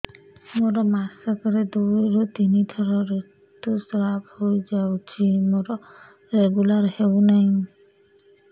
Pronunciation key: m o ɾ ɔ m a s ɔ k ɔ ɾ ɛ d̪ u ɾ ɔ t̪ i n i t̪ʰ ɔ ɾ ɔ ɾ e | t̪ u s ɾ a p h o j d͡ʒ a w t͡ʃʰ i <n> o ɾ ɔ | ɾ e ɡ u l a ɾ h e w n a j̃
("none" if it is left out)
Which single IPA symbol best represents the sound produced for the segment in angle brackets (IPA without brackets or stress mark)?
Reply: m